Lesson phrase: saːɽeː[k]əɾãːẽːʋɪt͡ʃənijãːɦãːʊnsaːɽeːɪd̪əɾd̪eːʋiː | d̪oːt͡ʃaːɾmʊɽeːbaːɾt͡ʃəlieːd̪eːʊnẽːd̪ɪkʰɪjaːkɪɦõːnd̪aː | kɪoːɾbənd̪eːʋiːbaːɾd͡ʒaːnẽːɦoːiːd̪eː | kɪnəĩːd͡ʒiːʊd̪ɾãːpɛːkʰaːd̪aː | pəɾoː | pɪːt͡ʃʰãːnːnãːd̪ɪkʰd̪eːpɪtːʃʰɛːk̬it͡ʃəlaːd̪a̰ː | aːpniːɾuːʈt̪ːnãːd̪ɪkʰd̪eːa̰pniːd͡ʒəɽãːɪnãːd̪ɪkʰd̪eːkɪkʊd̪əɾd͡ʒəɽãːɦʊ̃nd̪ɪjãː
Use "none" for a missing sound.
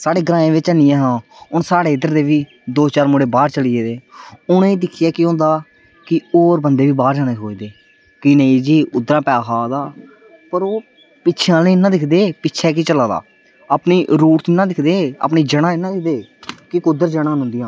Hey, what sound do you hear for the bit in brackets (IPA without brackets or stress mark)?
ɡ